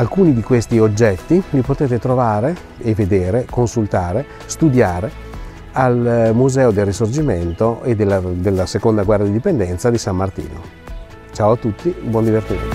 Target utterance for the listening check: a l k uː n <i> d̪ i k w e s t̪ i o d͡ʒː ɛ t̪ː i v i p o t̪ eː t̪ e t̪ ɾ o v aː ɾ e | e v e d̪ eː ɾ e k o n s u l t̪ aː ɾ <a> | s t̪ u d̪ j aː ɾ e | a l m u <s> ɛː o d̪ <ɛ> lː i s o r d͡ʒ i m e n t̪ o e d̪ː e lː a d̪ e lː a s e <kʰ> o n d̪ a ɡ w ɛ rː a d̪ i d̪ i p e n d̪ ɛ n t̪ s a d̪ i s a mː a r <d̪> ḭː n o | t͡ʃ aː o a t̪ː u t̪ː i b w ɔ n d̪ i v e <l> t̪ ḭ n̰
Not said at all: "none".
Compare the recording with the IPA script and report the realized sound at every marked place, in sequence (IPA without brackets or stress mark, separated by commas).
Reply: i, e, z, e, k, t̪, r